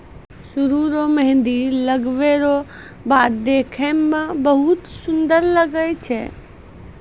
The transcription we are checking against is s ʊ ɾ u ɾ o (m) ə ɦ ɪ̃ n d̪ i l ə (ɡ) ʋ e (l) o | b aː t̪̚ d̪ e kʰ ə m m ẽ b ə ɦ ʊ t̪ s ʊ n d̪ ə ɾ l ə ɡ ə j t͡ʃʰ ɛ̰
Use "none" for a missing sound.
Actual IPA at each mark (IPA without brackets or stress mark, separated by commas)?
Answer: m, ɡ, ɾ